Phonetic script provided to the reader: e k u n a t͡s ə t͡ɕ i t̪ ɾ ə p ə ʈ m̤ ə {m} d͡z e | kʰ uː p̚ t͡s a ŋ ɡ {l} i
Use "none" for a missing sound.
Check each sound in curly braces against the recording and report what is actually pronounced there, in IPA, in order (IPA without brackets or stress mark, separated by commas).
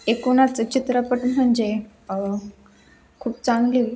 ɳ, l